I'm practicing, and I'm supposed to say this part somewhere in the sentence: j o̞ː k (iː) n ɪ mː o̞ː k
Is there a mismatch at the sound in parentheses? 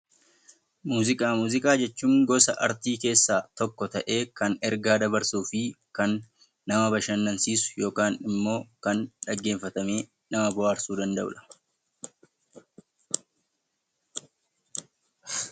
yes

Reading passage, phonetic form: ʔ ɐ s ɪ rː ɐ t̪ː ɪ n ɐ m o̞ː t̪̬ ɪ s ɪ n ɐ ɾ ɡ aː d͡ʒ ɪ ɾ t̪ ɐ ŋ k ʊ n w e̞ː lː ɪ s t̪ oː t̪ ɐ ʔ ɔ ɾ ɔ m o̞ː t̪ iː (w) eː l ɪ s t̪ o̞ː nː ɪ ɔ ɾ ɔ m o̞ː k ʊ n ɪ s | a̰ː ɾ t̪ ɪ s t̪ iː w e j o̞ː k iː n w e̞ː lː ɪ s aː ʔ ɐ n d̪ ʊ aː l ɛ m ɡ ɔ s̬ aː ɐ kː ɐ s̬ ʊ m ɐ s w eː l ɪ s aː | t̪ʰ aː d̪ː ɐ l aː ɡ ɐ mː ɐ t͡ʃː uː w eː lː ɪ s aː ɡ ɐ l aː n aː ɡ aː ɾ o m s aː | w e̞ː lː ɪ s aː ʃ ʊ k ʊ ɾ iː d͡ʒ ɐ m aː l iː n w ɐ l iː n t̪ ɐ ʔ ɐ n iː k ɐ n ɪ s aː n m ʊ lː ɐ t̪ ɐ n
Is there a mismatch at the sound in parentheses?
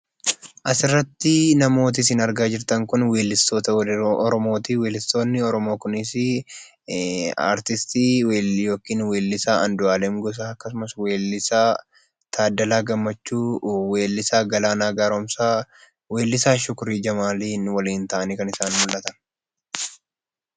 no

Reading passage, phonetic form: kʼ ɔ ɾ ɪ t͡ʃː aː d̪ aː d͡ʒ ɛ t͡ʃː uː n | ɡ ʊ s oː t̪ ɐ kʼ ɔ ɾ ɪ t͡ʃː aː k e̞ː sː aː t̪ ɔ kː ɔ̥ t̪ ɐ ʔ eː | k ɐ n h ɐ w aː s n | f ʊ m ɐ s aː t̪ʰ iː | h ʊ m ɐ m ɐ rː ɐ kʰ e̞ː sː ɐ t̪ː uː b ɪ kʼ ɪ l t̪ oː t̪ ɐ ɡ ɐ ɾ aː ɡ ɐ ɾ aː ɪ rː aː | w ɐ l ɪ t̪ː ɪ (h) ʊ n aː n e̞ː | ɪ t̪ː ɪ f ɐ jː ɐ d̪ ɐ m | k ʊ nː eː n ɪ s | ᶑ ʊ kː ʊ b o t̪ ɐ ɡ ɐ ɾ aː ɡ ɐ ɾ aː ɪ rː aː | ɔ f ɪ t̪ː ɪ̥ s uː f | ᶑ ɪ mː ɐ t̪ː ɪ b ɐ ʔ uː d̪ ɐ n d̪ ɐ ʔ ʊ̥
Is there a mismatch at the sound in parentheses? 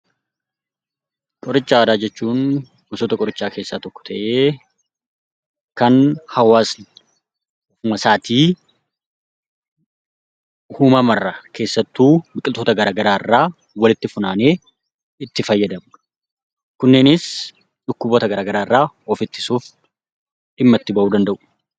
yes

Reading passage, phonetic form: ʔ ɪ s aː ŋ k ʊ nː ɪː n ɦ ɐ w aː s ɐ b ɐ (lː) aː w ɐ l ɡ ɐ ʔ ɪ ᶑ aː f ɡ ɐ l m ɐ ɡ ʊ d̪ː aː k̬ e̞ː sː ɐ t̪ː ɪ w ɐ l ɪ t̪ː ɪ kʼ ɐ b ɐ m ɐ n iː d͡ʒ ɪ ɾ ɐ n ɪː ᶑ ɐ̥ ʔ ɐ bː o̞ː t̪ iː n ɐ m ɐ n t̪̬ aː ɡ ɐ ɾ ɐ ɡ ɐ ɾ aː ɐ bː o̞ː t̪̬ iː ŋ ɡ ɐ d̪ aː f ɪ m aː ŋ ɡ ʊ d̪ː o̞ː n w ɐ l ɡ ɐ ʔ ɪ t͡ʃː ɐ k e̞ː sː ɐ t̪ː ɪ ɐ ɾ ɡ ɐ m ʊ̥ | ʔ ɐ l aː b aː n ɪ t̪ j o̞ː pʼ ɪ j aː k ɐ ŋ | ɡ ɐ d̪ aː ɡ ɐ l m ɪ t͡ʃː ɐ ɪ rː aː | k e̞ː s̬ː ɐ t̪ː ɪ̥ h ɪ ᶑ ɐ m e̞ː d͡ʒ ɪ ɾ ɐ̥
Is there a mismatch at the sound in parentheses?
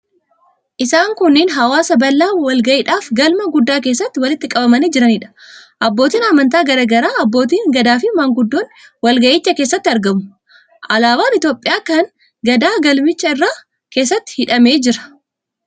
no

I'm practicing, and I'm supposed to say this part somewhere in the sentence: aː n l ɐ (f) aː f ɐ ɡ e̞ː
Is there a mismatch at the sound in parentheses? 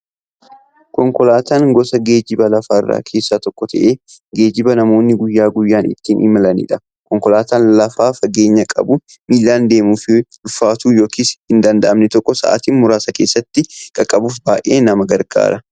no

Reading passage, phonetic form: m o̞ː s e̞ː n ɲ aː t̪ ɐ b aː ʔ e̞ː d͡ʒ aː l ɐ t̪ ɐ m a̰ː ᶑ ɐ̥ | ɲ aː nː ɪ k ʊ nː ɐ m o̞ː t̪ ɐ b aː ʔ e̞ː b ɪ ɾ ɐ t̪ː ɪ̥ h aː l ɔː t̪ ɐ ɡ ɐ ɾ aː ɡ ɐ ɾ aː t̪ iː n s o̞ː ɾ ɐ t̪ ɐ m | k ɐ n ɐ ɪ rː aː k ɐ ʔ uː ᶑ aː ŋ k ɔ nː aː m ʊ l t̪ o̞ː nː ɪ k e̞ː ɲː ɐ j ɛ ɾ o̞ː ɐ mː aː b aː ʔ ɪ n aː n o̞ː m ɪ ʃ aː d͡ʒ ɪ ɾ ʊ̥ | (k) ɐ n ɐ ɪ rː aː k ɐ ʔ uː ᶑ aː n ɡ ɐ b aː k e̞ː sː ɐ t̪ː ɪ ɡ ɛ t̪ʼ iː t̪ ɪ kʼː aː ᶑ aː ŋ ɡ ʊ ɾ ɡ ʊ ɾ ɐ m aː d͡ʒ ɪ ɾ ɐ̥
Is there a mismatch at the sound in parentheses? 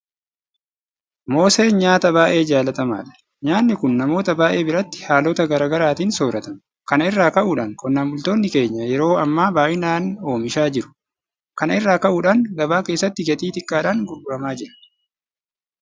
no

